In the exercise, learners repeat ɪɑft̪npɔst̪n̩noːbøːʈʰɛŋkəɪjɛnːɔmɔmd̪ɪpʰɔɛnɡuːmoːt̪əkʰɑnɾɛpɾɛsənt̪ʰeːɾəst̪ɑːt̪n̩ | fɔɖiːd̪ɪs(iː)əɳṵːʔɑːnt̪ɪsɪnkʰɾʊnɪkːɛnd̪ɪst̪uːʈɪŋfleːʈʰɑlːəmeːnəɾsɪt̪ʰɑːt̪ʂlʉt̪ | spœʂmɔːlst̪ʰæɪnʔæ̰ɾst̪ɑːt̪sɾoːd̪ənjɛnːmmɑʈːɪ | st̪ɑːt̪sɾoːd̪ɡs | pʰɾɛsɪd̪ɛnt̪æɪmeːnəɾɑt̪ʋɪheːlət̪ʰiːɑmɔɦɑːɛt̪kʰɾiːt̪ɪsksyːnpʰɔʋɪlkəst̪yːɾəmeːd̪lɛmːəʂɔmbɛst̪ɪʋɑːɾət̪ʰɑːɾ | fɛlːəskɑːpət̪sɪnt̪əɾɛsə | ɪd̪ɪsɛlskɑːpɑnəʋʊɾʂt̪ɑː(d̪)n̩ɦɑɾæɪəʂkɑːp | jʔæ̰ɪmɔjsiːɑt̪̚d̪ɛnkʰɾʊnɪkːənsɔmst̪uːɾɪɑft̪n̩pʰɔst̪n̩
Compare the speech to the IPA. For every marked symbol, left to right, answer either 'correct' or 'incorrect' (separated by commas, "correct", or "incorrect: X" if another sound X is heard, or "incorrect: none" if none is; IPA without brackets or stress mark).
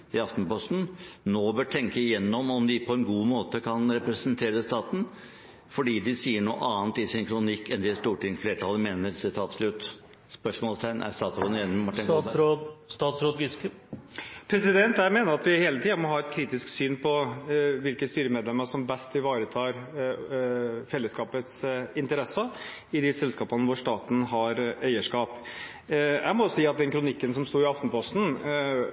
correct, incorrect: t̪